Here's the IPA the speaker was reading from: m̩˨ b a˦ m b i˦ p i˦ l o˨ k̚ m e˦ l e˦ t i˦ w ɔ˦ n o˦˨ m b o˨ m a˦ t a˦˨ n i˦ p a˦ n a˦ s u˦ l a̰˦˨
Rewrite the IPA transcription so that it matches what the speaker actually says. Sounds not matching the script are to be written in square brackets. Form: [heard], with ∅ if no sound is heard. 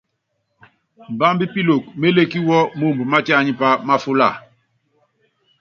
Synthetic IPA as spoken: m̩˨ b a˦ m b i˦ p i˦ l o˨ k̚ m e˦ l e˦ [k] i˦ w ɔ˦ [m] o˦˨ m b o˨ m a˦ t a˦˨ [ɲ] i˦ p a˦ [m] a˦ [f] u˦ l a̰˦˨